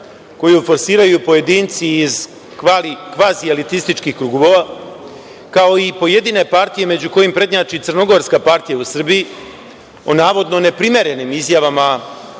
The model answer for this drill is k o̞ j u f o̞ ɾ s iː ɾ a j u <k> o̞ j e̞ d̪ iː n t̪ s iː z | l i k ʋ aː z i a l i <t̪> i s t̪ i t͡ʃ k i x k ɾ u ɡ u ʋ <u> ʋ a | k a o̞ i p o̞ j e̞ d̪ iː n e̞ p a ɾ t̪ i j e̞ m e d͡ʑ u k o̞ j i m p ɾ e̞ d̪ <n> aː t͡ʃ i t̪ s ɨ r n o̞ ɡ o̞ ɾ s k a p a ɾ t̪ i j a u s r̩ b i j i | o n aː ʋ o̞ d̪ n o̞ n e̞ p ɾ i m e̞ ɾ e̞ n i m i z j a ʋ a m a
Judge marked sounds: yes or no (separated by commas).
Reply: no, yes, no, no